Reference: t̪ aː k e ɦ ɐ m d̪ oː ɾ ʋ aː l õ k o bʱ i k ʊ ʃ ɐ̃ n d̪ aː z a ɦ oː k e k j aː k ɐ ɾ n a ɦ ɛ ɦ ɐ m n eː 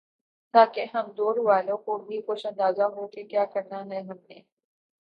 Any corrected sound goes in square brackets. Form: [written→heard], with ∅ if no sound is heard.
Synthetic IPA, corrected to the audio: t̪ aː k e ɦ ɐ m d̪ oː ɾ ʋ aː l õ k o bʱ i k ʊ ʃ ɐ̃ n d̪ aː z a ɦ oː k e k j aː k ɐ ɾ n a ɦ ɛ ɦ ɐ m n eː